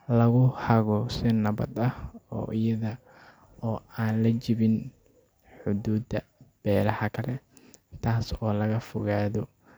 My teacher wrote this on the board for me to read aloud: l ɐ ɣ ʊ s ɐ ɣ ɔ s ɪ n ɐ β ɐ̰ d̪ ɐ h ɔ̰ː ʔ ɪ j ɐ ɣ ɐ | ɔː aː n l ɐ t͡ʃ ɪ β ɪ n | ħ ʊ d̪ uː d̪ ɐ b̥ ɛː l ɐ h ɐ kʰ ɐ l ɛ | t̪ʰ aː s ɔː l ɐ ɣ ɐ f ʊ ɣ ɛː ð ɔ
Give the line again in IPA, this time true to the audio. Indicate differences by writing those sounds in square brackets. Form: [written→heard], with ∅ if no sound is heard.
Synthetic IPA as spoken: l ɐ ɣ ʊ [s→h] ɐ ɣ ɔ s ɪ n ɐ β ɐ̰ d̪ ɐ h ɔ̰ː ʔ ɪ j ɐ [ɣ→ð] ɐ | ɔː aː n l ɐ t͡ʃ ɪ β ɪ n | ħ ʊ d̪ uː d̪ ɐ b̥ ɛː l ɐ h ɐ kʰ ɐ l ɛ | t̪ʰ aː s ɔː l ɐ ɣ ɐ f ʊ ɣ [ɛː→aː] ð ɔ

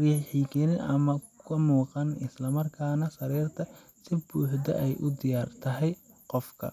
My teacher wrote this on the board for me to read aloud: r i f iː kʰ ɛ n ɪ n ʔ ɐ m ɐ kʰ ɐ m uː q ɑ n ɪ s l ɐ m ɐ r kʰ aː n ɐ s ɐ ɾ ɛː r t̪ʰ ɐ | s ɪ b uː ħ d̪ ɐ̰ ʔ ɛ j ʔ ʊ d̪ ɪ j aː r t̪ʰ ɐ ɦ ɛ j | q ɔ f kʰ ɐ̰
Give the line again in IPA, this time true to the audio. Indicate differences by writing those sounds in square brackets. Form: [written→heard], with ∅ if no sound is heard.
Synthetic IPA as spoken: r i [f→ħ] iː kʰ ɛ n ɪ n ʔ ɐ m ɐ kʰ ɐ m uː q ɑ n ɪ s l ɐ m ɐ r kʰ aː n ɐ s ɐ ɾ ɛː r t̪ʰ ɐ | s ɪ b uː ħ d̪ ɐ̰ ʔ ɛ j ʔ ʊ d̪ ɪ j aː r t̪ʰ ɐ ɦ ɛ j | q ɔ f kʰ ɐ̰

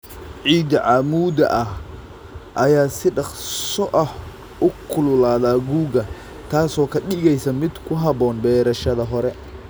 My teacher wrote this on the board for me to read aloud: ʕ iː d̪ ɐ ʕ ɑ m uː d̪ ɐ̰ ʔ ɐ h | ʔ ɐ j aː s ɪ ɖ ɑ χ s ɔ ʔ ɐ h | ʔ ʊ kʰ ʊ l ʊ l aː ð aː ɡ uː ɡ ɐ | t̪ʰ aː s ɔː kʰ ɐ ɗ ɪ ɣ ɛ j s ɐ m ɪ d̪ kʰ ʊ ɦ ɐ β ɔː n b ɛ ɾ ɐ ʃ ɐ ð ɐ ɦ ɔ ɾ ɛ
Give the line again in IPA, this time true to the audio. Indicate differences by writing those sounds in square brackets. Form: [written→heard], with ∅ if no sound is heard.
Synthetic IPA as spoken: ʕ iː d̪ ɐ ʕ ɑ m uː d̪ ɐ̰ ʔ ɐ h | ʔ ɐ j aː s ɪ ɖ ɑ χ s ɔ ʔ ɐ h | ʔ ʊ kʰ ʊ l ʊ l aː ð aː ɡ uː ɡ ɐ | t̪ʰ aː s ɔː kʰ ɐ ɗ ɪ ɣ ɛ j s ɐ m ɪ d̪ kʰ ʊ ɦ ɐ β ɔː n b [ɛ→ɛː] ɾ ɐ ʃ ɐ ð ɐ ɦ ɔ ɾ ɛ

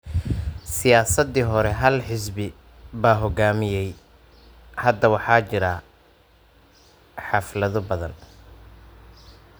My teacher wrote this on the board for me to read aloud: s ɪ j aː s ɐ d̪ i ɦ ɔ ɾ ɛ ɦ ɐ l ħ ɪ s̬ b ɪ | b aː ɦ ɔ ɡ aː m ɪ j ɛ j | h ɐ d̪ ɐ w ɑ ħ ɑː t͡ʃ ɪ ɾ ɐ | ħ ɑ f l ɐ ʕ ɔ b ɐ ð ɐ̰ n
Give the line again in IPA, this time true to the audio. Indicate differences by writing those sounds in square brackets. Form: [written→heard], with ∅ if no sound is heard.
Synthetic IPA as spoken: s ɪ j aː s ɐ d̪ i ɦ ɔ ɾ ɛ ɦ ɐ l ħ ɪ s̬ b ɪ | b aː ɦ ɔ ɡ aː m ɪ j ɛ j | h ɐ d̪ ɐ w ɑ ħ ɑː t͡ʃ ɪ ɾ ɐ | ħ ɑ f l ɐ [ʕ→ð] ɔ b ɐ ð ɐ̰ n

